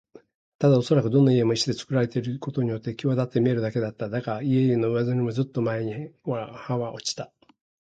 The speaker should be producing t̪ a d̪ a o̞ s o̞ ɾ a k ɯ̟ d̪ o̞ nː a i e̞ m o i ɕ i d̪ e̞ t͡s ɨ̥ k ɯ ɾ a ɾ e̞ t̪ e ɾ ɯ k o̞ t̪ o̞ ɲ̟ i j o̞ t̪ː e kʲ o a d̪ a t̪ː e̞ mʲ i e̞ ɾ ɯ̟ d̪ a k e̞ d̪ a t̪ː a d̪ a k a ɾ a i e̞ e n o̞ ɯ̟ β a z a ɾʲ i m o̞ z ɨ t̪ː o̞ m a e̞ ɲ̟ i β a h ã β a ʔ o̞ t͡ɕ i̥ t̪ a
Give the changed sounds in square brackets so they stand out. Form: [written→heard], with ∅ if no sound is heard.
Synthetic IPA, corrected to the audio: t̪ a d̪ a o̞ s o̞ ɾ a k ɯ̟ d̪ o̞ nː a i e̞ m o i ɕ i d̪ e̞ t͡s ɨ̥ k ɯ ɾ a ɾ e̞ t̪ e ɾ ɯ k o̞ t̪ o̞ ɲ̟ i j o̞ t̪ː e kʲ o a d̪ a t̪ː e̞ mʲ i e̞ ɾ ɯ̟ d̪ a k e̞ d̪ a t̪ː a d̪ a k a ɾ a i e̞ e n o̞ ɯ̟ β a z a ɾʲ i m o̞ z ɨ t̪ː o̞ m a e̞ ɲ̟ i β a h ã β a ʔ o̞ t͡ɕ i̥ t̪ a